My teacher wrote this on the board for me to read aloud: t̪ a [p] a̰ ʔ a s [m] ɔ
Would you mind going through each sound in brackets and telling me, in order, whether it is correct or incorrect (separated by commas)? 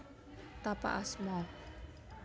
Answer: correct, correct